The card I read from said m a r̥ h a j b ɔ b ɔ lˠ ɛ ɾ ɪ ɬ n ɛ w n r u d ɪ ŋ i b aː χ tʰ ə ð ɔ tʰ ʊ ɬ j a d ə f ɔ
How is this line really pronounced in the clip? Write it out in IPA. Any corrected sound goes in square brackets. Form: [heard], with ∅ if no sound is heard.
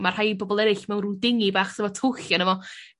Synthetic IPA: m a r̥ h a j b ɔ b ɔ lˠ ɛ ɾ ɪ ɬ [m] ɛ w n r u d ɪ ŋ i b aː χ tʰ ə [v] ɔ tʰ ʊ ɬ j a [n] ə [v] ɔ